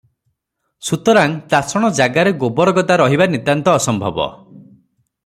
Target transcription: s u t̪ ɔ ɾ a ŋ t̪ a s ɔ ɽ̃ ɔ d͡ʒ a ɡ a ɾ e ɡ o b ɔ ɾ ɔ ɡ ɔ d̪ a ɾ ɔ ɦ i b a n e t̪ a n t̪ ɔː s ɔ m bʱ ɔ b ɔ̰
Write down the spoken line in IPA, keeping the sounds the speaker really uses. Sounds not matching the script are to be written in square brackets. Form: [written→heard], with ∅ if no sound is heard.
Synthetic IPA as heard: s u t̪ ɔ ɾ a ŋ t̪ a s ɔ ɽ̃ ɔ d͡ʒ a ɡ a ɾ e ɡ o b ɔ ɾ ɔ ɡ ɔ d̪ a ɾ ɔ ɦ i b a n [e→i] t̪ a n t̪ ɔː s ɔ m bʱ ɔ b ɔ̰